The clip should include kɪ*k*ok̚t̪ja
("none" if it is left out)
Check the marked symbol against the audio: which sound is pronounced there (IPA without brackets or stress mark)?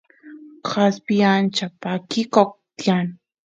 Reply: k